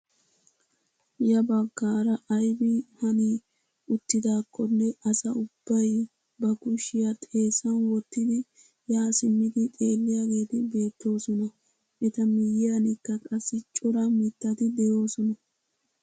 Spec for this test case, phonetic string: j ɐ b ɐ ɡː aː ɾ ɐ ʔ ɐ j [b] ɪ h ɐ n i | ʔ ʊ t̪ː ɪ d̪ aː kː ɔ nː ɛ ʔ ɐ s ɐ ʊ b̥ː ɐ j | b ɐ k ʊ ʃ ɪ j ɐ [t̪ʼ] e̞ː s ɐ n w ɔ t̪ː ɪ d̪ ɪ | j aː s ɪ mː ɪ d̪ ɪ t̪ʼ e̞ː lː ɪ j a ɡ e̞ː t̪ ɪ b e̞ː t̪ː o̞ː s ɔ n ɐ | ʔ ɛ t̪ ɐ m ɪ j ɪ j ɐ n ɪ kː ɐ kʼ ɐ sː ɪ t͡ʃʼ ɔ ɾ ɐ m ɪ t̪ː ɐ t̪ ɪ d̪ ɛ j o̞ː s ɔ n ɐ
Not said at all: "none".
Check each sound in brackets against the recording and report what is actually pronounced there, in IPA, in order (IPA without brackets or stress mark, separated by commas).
b, t̪ʼ